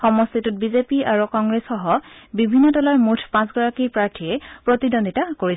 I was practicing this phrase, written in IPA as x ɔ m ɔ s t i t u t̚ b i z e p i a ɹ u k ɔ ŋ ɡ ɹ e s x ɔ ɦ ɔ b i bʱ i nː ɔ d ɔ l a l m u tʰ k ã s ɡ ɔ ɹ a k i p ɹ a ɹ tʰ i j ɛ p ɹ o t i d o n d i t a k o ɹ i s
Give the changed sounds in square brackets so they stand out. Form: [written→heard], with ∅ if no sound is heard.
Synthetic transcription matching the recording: x ɔ m ɔ s t i t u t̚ b i z e p i a ɹ u k ɔ ŋ ɡ ɹ e s x ɔ ɦ ɔ b i bʱ i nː ɔ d ɔ l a [l→ɹ] m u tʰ [k→p] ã s ɡ ɔ ɹ a k i p ɹ a ɹ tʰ i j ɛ p ɹ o t i d o n d i t a k o ɹ i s